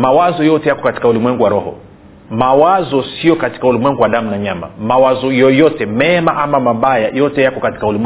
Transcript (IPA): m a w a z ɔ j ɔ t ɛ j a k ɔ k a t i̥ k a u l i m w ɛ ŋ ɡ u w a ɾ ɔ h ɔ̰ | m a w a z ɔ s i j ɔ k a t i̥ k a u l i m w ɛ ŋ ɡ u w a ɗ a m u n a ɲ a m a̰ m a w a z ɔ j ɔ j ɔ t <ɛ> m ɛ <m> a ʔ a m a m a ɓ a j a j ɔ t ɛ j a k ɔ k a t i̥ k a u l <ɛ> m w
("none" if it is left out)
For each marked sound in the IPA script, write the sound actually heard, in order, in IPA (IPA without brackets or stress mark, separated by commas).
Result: ɛ, m, i